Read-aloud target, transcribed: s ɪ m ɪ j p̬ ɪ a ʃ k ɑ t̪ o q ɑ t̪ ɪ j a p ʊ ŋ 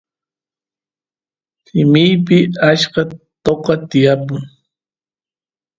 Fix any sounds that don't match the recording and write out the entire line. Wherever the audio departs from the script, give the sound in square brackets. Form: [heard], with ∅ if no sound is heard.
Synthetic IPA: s ɪ m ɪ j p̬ ɪ a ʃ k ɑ t̪ o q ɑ t̪ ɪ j a p ʊ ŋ

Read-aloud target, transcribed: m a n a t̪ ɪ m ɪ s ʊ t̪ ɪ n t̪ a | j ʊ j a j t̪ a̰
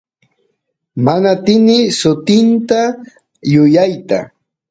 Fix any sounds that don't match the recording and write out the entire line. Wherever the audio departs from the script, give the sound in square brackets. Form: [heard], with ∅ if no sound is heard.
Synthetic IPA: m a n a t̪ ɪ [n] ɪ s ʊ t̪ ɪ n t̪ a | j ʊ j a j t̪ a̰

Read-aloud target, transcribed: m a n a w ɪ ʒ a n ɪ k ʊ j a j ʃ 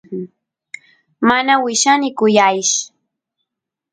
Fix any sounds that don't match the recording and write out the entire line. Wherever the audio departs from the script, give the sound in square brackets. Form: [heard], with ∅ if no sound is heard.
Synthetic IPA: m a n a w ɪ [ʃ] a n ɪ k ʊ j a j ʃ

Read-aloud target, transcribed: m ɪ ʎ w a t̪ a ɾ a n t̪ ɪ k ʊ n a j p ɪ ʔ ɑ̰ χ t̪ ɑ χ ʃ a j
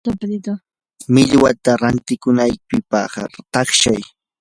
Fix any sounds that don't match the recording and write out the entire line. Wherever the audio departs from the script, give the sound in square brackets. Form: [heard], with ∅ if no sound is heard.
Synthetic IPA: m ɪ ʎ w a t̪ a ɾ a n t̪ ɪ k ʊ n a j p ɪ [p] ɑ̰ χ t̪ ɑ χ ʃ a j

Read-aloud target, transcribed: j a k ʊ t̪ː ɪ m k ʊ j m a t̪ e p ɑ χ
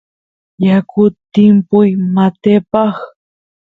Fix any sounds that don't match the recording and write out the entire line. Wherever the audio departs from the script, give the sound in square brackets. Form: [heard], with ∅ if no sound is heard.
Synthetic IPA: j a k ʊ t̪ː ɪ m [p] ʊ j m a t̪ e p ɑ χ

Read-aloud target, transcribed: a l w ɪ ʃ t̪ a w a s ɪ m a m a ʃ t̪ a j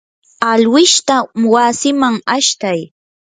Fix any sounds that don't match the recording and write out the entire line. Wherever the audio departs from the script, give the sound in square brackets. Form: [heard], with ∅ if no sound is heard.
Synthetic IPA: a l w ɪ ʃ t̪ a w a s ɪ m a [ŋ] a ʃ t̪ a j

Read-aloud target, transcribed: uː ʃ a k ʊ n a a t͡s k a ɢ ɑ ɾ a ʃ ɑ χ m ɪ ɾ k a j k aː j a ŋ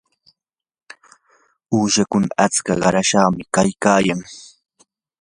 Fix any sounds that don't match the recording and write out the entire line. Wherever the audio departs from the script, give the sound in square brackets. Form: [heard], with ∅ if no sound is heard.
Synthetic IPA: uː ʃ a k ʊ n a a t͡s k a ɢ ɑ ɾ a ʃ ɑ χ m ɪ [∅] k a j k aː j a ŋ

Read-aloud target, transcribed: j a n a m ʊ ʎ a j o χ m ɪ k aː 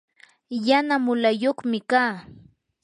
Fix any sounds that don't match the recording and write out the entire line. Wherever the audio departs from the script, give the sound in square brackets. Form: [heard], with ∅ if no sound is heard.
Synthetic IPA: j a n a m ʊ [l] a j o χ m ɪ k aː

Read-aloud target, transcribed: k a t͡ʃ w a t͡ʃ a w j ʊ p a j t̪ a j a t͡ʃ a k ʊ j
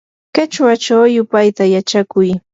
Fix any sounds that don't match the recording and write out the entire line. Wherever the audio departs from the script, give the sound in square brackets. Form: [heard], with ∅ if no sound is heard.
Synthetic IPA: k a t͡ʃ w a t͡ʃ a w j ʊ p a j t̪ a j a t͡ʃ a k ʊ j

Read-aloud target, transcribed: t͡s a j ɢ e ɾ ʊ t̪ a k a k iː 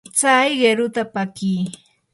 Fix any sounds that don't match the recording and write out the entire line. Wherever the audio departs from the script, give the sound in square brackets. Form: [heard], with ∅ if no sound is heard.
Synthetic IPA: t͡s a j ɢ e ɾ ʊ t̪ a [p] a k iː

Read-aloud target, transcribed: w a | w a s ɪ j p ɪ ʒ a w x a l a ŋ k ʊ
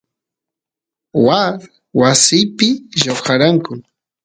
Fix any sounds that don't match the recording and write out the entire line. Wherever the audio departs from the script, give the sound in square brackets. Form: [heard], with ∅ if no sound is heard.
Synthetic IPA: w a | w a s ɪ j p ɪ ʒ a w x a [ɾ] a ŋ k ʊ

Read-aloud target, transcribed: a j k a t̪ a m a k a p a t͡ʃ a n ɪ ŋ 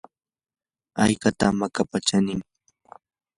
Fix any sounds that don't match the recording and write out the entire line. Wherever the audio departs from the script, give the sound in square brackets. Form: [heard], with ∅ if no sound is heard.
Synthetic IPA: a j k a t̪ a m a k a p a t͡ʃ a n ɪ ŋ

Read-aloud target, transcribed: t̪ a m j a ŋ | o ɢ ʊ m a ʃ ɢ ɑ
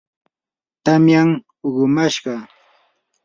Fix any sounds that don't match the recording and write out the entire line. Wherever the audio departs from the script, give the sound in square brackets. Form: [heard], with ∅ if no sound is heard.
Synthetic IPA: t̪ a m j a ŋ | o ɢ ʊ m a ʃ ɢ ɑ

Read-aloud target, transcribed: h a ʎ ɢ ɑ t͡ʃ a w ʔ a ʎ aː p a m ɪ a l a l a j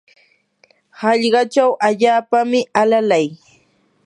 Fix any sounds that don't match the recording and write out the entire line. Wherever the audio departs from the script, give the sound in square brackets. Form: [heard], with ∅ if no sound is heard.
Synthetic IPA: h [ɑ] ʎ ɢ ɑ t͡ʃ a w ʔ a ʎ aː p a m ɪ a l a l a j

